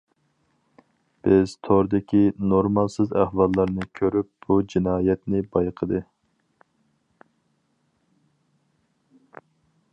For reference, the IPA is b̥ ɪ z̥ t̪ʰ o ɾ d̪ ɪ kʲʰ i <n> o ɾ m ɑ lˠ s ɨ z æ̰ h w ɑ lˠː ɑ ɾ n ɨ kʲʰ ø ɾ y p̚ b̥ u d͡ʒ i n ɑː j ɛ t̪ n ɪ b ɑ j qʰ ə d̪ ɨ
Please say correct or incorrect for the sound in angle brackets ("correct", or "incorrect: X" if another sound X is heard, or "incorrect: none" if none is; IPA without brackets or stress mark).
correct